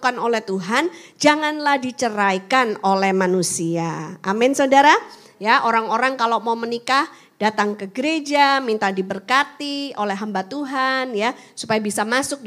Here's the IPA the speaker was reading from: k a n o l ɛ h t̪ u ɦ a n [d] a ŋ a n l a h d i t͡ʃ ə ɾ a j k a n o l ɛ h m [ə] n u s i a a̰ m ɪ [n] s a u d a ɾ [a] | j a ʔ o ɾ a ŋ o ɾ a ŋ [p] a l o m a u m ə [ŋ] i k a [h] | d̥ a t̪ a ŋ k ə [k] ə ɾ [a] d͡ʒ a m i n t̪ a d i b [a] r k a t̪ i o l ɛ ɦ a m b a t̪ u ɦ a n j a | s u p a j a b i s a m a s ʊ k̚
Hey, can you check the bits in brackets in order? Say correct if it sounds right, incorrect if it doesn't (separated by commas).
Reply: incorrect, incorrect, correct, correct, incorrect, incorrect, correct, incorrect, incorrect, incorrect